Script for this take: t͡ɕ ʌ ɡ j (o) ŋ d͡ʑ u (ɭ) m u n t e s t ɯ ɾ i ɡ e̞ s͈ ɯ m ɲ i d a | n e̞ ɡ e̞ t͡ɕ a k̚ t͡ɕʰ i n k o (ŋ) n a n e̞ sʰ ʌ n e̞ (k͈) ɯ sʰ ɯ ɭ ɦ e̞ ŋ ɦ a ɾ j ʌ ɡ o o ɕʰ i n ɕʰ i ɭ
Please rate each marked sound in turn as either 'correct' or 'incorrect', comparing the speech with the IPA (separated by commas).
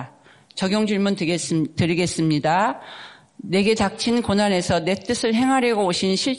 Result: correct, correct, incorrect, incorrect